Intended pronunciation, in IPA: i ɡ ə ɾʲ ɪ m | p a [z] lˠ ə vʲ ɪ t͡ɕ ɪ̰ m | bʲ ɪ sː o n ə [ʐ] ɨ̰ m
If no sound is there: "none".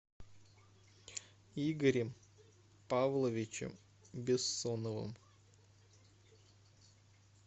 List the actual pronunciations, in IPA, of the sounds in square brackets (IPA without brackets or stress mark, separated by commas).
v, v